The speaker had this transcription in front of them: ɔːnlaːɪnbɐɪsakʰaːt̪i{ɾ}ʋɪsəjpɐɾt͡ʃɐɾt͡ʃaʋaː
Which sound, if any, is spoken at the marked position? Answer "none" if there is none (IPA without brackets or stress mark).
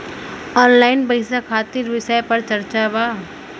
ɾ